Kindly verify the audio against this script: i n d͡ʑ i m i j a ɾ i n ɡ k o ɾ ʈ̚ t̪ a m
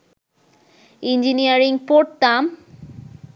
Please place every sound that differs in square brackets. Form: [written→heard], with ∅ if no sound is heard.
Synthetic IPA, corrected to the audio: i n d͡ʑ i [m→n] i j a ɾ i [n→ŋ] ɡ [k→p] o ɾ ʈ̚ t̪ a m